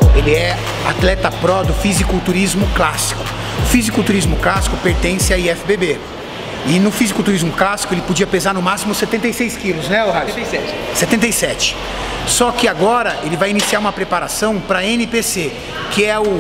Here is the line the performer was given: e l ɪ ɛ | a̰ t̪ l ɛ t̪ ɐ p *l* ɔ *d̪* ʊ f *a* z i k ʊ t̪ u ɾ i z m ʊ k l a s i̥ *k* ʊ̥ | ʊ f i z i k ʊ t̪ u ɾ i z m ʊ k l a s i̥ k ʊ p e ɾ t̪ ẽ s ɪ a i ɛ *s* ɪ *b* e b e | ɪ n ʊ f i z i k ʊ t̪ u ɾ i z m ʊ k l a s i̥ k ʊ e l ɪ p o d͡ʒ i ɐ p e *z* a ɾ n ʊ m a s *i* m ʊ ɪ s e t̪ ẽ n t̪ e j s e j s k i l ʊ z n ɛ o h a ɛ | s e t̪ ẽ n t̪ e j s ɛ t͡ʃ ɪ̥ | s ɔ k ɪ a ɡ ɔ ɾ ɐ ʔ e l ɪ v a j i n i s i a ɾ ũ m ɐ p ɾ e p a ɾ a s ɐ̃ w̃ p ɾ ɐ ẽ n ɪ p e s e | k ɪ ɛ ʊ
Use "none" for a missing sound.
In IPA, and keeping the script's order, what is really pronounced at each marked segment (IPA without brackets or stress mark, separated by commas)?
ɾ, d̪, i, k, f, b, z, i